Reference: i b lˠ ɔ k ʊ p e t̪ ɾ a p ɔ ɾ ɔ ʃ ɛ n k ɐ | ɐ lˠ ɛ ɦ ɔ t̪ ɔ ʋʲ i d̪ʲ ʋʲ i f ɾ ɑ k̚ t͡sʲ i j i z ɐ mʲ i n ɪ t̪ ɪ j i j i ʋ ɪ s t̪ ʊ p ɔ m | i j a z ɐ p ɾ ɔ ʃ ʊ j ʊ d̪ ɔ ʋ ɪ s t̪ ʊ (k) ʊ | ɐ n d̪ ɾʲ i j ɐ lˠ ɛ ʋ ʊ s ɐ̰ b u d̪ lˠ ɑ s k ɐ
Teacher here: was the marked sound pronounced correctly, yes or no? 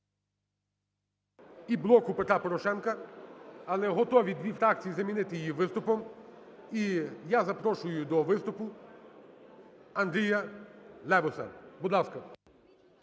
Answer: no